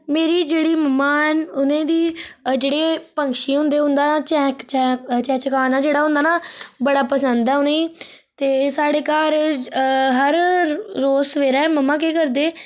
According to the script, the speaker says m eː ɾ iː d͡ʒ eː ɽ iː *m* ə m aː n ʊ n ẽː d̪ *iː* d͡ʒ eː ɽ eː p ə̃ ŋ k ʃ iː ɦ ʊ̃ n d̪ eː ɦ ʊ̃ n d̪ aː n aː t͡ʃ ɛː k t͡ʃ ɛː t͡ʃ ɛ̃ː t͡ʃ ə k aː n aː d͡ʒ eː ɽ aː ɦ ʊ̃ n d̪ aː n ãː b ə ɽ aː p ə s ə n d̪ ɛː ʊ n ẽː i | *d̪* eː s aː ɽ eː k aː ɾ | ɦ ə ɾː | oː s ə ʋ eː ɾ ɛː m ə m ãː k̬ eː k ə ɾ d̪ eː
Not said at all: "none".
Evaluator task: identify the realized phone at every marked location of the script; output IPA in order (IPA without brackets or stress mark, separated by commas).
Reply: m, iː, t̪